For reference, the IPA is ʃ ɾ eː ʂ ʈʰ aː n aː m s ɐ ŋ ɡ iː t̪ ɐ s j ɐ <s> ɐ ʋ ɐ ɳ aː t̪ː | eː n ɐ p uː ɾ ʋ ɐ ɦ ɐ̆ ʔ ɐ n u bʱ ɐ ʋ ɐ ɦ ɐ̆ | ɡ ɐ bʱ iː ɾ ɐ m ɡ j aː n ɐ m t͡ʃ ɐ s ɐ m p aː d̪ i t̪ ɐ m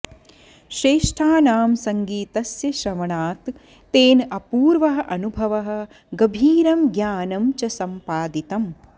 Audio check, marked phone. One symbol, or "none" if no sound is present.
ʃ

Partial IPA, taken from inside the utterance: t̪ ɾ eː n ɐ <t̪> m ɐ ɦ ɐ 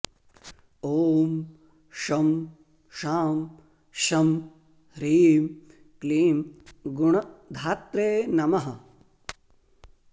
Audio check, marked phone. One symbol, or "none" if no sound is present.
none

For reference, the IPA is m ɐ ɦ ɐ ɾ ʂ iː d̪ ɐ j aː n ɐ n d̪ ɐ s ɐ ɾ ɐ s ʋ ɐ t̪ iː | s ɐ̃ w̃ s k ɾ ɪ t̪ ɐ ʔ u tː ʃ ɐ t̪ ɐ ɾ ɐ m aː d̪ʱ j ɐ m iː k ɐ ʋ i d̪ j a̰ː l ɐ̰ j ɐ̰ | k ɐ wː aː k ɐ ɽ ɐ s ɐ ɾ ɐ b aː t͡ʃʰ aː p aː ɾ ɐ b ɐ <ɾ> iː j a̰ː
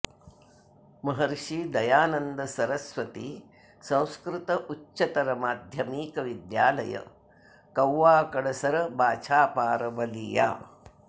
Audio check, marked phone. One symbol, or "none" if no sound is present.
l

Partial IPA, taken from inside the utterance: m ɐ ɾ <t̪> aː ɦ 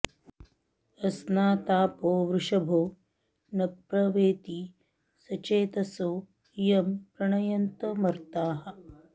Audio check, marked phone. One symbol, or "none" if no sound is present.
t̪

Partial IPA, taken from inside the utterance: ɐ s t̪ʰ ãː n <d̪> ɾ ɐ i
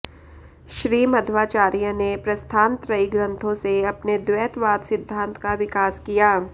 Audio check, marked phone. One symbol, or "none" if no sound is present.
t̪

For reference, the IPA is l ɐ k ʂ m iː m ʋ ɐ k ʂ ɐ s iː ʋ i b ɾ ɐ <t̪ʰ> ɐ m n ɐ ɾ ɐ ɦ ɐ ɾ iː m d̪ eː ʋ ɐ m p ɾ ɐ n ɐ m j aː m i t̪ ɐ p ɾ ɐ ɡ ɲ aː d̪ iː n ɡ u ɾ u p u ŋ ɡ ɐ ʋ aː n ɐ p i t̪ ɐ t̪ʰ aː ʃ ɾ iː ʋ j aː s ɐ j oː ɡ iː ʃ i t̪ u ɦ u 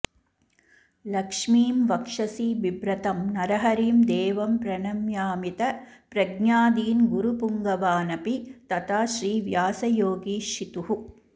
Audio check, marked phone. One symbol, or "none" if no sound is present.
t̪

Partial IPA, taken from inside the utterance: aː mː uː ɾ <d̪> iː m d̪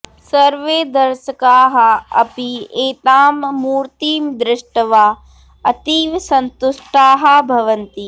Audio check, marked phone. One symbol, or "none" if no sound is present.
t̪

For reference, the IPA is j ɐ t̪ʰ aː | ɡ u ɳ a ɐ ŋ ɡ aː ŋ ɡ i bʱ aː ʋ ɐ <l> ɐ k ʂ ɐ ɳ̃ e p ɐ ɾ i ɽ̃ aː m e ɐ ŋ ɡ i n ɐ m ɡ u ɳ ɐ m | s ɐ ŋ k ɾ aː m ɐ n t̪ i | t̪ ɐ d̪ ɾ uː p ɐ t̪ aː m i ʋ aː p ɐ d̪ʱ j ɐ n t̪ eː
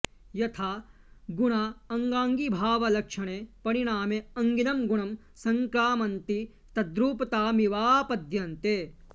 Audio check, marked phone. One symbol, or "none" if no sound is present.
l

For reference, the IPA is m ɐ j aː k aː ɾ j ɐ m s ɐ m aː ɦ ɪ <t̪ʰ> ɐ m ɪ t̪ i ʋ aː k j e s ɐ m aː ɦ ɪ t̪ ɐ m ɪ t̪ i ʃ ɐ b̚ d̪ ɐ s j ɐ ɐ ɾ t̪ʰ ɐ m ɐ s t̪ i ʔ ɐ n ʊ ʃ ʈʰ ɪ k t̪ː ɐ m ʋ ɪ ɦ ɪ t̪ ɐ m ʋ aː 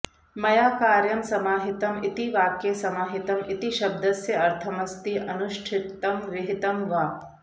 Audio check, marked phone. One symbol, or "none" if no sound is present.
t̪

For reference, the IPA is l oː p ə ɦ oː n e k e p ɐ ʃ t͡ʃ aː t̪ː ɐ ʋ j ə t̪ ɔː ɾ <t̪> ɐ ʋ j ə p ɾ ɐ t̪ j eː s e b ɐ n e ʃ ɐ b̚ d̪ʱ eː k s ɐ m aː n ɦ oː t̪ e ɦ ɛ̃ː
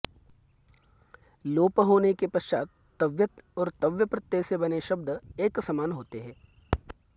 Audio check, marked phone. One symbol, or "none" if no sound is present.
t̪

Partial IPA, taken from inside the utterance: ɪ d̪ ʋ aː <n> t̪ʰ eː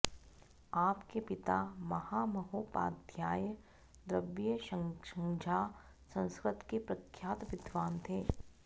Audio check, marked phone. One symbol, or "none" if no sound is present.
n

